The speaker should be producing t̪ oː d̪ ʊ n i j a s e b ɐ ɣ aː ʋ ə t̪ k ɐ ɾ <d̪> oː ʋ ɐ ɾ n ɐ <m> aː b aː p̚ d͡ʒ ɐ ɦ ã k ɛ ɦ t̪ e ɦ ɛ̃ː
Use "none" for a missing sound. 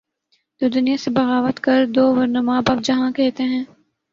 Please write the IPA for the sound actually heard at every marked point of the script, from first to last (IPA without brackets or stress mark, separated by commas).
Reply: d̪, m